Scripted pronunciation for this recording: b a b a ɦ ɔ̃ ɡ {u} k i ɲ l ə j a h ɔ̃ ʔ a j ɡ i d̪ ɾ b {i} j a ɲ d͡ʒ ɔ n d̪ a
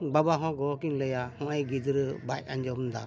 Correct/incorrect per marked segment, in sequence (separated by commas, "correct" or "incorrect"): incorrect, incorrect